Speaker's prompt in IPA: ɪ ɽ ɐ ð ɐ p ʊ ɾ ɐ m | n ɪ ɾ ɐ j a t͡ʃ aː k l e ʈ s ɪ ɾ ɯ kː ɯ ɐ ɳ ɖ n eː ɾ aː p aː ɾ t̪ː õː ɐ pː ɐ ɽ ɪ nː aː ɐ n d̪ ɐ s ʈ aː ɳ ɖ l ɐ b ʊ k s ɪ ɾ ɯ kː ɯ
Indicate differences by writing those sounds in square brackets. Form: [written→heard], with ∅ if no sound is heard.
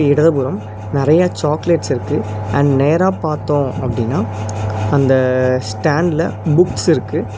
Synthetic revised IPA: ɪ ɽ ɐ ð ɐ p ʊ ɾ ɐ m | n ɪ ɾ ɐ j a t͡ʃ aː k l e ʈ s ɪ ɾ ɯ kː ɯ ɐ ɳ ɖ n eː ɾ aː p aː ɾ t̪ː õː ɐ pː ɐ ɽ ɪ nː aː ɐ n d̪ ɐ s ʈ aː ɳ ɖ l ɐ b ʊ k s ɪ ɾ ɯ kː ɯ